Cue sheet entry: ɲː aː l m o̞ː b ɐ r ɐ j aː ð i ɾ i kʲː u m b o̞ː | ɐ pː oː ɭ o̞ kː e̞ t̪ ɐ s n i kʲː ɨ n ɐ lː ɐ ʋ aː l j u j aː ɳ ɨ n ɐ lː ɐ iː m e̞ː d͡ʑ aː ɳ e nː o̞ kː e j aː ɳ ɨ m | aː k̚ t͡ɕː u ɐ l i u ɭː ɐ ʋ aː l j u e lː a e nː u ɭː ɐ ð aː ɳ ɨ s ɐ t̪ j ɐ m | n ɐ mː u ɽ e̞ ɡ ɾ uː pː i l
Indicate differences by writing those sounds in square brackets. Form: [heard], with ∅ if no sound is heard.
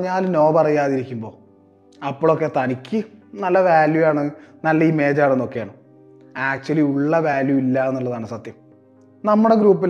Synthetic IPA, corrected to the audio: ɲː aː l [n] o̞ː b ɐ r ɐ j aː ð i ɾ i kʲː u m b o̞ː | ɐ pː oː ɭ o̞ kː e̞ t̪ ɐ [∅] n i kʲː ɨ n ɐ lː ɐ ʋ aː l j u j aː ɳ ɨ n ɐ lː ɐ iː m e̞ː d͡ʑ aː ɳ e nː o̞ kː e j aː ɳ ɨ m | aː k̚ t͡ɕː u ɐ l i u ɭː ɐ ʋ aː l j u [i] lː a e nː u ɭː ɐ ð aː ɳ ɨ s ɐ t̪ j ɐ m | n ɐ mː u ɽ e̞ ɡ ɾ uː pː i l